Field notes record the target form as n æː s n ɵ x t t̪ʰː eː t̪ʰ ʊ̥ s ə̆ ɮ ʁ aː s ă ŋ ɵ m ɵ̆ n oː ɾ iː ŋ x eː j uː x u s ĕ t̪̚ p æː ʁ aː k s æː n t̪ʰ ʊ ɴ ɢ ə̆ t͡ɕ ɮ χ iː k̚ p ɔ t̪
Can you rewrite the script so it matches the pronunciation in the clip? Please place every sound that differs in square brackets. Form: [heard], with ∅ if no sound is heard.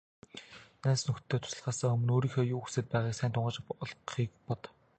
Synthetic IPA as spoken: n æː s n ɵ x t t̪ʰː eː t̪ʰ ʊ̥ s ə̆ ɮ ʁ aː s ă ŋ ɵ m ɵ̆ n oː ɾ iː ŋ x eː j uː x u s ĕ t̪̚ p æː ʁ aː k s æː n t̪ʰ ʊ ɴ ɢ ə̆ t͡ɕ ɮ χ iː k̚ p ɔ t̪